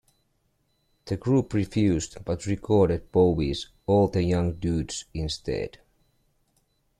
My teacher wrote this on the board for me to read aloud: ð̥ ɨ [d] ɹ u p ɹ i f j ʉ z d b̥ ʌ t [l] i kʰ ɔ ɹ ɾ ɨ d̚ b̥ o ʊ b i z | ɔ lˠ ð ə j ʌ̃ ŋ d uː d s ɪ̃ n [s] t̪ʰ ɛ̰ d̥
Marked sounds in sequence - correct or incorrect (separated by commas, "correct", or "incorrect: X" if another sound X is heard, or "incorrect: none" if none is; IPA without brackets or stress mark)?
incorrect: ɡ, incorrect: ɹ, correct